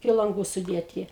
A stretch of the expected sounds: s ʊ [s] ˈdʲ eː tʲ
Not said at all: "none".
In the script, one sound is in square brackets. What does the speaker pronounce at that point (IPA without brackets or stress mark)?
none